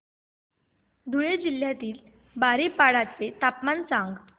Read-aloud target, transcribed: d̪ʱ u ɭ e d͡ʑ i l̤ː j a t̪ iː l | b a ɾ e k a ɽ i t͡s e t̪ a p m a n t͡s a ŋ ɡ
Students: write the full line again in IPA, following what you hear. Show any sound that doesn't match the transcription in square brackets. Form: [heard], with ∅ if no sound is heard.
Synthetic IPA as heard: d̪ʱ u ɭ e d͡ʑ i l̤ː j a t̪ iː l | b a ɾ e [p] a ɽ [a] t͡s e t̪ a p m a n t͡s a ŋ ɡ